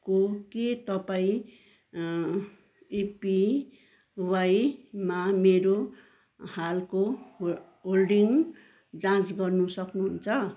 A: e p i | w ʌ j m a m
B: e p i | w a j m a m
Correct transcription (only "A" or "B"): B